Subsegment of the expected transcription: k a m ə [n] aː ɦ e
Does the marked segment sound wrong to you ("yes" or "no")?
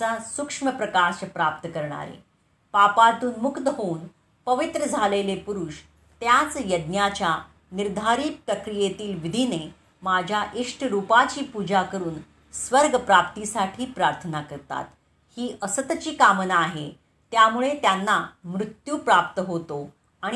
no